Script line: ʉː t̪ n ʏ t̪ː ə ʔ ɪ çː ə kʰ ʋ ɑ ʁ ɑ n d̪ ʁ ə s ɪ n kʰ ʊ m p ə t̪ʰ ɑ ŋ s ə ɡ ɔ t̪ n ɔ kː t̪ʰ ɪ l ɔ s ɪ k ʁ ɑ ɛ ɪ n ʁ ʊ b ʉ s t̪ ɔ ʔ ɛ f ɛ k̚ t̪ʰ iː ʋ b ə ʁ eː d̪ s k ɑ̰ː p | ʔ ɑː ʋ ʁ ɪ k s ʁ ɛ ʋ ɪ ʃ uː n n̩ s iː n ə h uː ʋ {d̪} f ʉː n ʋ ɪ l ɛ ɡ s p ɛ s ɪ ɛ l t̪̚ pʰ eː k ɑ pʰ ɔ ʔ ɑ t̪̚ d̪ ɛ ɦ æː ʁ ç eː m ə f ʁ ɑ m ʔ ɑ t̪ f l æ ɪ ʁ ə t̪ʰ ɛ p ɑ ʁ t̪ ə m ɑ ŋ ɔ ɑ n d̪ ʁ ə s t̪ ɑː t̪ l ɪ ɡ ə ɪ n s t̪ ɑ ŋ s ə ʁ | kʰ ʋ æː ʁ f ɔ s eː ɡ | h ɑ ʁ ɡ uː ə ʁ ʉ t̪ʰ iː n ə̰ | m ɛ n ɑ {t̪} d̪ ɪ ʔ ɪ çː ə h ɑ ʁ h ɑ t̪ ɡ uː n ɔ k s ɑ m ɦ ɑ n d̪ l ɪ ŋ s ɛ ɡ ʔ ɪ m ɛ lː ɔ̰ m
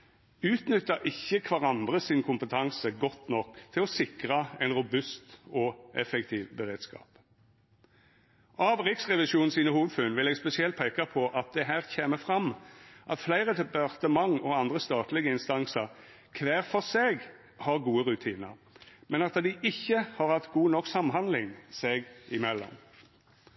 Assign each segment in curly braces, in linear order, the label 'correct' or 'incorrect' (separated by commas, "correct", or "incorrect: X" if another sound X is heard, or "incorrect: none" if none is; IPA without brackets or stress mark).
correct, correct